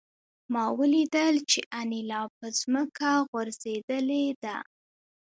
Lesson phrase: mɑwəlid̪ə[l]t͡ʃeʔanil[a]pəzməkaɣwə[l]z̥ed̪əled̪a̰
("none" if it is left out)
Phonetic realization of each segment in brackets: l, ɑ, ɾ

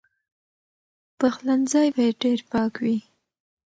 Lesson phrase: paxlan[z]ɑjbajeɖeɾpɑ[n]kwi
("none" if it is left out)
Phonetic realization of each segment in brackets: z, none

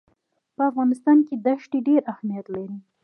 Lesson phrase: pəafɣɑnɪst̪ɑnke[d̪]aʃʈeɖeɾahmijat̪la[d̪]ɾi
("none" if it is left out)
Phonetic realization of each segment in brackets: d̪, none

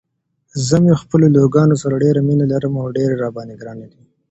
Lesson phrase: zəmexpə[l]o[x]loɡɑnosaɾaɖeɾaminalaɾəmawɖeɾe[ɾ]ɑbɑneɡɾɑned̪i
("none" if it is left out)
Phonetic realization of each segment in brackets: l, none, ɾ

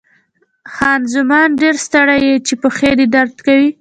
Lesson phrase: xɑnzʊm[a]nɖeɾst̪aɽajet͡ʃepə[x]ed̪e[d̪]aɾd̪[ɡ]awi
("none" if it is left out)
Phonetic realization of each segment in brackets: ɑ, x, d̪, k

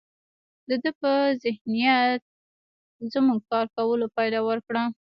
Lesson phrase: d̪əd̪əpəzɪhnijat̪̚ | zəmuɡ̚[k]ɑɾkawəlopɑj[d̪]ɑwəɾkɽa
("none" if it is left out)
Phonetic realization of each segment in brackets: k, d̪

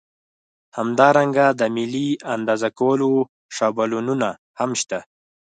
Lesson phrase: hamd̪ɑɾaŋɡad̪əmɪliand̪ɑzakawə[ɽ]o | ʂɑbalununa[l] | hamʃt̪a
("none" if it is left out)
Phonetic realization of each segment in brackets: l, none

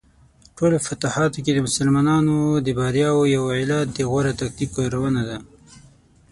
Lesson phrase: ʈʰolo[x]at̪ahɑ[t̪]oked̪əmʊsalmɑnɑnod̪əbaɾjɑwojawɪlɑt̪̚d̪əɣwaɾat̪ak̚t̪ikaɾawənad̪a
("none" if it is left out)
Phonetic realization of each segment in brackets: f, t̪

